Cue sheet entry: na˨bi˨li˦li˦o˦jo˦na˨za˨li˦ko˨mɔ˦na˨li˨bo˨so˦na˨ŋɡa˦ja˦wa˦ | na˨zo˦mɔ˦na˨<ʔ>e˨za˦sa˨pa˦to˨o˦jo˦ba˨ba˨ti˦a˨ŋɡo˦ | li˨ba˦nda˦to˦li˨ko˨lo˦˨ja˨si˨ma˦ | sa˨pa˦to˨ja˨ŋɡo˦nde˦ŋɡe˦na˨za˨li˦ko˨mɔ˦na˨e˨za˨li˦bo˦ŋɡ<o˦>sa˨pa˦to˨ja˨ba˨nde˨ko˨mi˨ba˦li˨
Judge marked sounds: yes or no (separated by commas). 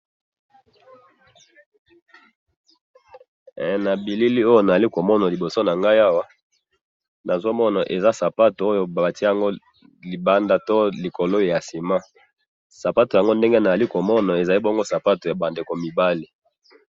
yes, yes